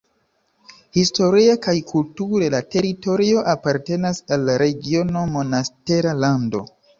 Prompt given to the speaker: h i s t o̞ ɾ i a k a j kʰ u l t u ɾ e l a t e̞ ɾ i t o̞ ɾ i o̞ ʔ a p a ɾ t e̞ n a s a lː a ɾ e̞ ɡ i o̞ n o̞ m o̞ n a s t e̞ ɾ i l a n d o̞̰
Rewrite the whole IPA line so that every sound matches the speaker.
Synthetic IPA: h i s t o̞ ɾ i a k a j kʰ u l t u ɾ e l a t e̞ ɾ i t o̞ ɾ i o̞ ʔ a p a ɾ t e̞ n a s a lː a ɾ e̞ ɡ i o̞ n o̞ m o̞ n a s t e̞ ɾ a l a n d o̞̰